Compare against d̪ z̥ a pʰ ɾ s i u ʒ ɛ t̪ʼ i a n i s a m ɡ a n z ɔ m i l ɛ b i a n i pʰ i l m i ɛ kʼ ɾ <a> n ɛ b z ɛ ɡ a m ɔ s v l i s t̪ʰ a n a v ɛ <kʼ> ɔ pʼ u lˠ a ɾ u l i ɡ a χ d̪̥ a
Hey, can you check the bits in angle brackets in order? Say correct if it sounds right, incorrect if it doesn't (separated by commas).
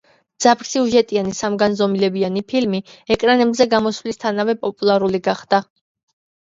correct, incorrect